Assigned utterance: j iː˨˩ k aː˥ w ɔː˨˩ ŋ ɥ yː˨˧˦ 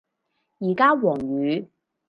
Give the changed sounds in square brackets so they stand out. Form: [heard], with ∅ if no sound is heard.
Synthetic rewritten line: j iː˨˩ k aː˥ w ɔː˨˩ ŋ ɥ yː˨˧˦